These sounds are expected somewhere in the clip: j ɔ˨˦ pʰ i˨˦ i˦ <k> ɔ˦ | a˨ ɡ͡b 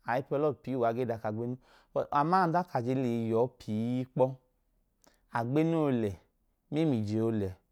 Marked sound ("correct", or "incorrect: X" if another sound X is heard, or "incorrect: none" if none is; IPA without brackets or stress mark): incorrect: k͡p